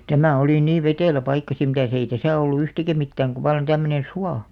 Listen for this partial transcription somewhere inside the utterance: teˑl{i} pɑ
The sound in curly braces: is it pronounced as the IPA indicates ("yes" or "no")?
no